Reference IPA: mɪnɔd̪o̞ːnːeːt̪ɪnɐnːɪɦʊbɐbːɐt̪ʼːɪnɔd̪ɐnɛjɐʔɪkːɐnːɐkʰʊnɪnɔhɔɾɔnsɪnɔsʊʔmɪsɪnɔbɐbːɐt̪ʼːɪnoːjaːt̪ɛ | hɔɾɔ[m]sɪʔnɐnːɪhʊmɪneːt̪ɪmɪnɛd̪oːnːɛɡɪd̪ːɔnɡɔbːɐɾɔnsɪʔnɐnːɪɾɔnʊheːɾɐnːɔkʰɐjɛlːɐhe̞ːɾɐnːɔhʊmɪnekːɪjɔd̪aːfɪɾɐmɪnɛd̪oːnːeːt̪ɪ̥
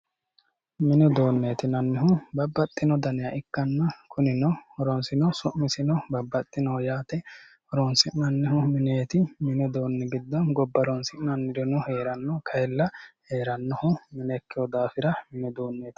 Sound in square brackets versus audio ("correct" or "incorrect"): incorrect